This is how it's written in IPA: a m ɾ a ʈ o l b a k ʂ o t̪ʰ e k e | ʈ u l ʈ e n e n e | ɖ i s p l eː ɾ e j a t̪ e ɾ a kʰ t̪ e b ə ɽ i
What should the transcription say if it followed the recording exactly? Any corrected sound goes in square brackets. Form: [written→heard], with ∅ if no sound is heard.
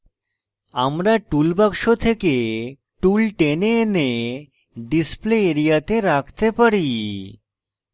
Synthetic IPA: a m ɾ a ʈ [o→u] l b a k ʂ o t̪ʰ e k e | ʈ u l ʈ e n e n e | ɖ i s p l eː ɾ [e→i] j a t̪ e ɾ a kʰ t̪ e [b→p] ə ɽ i